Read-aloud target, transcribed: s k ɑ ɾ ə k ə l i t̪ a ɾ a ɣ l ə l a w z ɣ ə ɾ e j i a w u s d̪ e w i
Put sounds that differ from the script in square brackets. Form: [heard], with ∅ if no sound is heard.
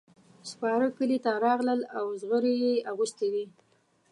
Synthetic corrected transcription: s [p] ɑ ɾ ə k ə l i t̪ a ɾ [ɑ] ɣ l ə l a w z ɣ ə ɾ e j [e] a [ɣ] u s [t̪] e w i